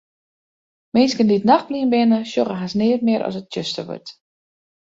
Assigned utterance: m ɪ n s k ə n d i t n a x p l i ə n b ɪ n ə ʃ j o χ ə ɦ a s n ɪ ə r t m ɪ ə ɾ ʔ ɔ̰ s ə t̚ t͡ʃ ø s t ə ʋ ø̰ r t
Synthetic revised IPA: m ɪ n s k ə n d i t n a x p l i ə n b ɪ n ə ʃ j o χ ə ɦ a s n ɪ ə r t m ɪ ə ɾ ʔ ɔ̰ s ə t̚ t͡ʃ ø s t ə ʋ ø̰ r t